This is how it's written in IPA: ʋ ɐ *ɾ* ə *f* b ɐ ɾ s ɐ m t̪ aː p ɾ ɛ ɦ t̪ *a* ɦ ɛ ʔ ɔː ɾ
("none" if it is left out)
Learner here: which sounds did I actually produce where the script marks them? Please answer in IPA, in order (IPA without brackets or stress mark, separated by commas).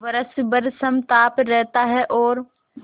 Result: ɾ, s, a